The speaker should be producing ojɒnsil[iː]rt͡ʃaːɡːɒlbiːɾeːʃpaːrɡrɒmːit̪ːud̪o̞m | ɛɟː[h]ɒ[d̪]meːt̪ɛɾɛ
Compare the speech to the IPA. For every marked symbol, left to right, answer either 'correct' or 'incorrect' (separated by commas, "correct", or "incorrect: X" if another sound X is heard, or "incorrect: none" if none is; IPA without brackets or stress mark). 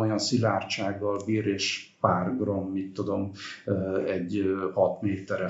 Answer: incorrect: aː, correct, incorrect: t̪